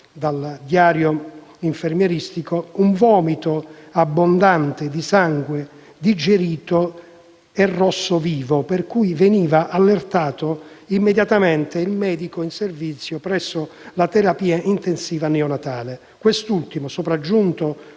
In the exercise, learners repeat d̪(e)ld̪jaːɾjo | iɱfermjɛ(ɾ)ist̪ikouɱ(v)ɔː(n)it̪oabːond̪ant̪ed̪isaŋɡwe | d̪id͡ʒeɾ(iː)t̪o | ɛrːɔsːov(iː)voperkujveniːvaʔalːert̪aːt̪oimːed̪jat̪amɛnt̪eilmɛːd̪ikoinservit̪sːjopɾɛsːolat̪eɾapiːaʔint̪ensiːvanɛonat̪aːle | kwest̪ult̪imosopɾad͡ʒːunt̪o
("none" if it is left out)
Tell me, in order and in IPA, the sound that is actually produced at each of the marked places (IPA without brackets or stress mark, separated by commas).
a, ɾ, v, m, iː, iː